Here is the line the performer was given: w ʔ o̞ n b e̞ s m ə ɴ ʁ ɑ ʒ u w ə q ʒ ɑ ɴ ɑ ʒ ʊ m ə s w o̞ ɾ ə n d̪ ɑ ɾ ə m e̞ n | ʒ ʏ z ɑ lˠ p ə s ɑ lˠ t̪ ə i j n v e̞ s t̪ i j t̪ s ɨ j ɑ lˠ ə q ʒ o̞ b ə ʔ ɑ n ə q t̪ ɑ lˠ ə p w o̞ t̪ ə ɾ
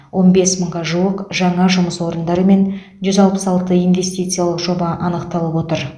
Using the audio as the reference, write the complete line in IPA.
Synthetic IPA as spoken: w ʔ o̞ n b e̞ s m ə ɴ ʁ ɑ ʒ u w ə q ʒ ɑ ɴ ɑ ʒ ʊ m ə s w o̞ ɾ ə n d̪ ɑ ɾ ə m e̞ n | ʒ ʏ z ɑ lˠ p ə s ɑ lˠ t̪ ə i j n v e̞ s t̪ i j t̪ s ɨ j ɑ lˠ ə q ʒ o̞ b ɑ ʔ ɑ n ə q t̪ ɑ lˠ ə p w o̞ t̪ ə ɾ